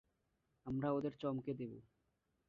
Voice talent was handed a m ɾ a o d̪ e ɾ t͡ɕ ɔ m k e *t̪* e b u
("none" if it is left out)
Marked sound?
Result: d̪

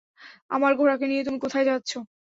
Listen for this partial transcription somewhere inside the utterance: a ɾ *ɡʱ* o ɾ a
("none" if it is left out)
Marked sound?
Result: ɡʱ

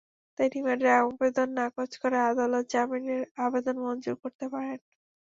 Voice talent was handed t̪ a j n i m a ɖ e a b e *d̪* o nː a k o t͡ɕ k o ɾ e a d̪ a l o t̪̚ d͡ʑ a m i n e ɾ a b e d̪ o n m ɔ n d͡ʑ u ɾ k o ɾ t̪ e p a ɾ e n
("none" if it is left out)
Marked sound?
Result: d̪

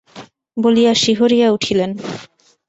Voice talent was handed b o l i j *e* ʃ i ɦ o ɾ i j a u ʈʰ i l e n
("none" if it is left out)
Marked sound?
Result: a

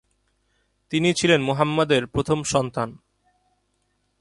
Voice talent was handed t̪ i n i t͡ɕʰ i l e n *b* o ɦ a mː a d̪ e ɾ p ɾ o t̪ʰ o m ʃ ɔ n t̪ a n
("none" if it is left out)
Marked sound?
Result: m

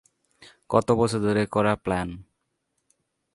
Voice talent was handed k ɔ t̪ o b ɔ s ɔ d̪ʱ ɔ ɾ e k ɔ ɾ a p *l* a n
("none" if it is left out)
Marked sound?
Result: l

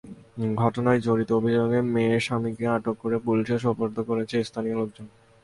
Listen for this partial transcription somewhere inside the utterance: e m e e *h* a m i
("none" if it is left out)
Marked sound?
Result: ʃ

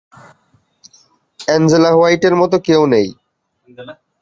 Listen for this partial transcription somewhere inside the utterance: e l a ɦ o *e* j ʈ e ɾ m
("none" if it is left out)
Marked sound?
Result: a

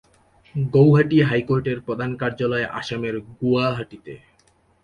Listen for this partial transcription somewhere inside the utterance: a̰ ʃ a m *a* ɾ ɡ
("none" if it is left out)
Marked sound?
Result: e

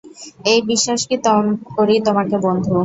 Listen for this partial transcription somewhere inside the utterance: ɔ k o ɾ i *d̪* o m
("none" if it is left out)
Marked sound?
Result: t̪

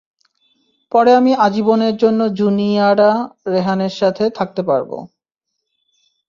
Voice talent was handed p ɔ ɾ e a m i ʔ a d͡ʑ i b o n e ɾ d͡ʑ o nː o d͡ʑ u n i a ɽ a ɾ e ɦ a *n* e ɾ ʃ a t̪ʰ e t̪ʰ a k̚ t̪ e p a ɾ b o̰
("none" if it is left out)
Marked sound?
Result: n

